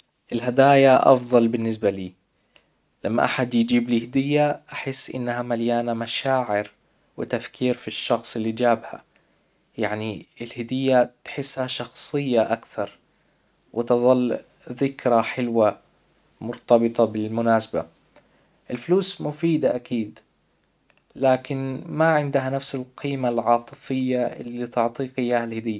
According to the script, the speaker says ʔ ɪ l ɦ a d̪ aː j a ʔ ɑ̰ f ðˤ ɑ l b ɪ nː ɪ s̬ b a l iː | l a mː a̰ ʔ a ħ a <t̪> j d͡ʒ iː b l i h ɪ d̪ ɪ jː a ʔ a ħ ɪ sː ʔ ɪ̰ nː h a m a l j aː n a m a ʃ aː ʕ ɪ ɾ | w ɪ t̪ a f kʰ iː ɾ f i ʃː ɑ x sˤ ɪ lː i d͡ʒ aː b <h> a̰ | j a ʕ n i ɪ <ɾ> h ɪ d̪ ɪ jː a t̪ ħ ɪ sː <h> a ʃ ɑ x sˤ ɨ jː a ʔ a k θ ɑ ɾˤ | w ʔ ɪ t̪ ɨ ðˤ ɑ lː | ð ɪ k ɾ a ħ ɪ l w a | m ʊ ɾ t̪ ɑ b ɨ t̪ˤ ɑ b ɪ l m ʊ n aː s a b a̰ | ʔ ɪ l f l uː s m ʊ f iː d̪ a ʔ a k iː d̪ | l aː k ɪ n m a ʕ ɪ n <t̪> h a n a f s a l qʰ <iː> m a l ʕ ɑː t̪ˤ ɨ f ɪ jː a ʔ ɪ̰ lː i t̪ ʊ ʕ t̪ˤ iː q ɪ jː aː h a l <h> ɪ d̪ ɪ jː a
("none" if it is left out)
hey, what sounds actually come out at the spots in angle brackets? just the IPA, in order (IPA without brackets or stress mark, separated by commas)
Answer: d̪, h, l, h, d̪, iː, h